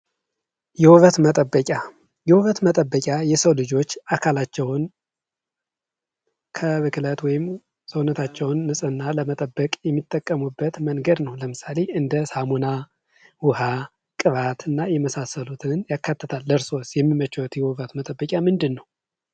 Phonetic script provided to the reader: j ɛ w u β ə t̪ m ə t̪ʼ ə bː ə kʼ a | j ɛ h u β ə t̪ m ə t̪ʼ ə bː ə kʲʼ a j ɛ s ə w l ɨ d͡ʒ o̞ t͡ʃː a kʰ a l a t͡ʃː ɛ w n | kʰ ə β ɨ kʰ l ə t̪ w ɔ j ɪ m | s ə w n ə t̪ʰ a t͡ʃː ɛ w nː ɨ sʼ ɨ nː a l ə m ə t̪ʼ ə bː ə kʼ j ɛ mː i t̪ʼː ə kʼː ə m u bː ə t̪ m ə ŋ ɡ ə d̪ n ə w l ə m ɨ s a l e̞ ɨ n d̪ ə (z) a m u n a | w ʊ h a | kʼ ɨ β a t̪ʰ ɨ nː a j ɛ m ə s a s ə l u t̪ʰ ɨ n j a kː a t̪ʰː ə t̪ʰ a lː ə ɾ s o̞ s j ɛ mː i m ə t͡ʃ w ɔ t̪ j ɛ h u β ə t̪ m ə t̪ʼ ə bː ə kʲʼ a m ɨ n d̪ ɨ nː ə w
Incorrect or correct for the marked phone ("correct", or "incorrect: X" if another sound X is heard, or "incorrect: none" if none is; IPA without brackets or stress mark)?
incorrect: s